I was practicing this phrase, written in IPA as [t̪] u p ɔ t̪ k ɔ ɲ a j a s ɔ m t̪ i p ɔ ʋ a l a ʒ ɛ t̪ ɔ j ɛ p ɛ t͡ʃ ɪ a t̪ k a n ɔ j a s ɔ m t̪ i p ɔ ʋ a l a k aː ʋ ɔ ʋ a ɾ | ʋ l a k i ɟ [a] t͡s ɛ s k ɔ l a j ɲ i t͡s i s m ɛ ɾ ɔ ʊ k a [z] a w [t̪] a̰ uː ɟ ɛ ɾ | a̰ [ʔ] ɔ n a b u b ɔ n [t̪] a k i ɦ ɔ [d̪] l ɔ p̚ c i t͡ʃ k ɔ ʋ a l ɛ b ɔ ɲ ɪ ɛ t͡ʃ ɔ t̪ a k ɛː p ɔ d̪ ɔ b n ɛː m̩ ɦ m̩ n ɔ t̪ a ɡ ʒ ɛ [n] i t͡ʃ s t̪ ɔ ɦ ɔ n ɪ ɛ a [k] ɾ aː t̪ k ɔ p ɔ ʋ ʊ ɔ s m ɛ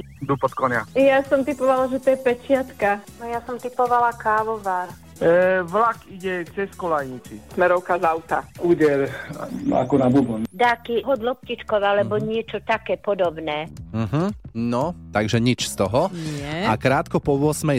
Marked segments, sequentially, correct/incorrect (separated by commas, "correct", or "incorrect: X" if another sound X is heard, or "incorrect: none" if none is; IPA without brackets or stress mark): incorrect: d̪, incorrect: ɛ, correct, correct, incorrect: k, incorrect: d̪, correct, incorrect: ɲ, correct